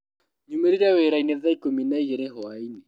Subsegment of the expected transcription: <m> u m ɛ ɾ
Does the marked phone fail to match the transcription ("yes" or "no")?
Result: yes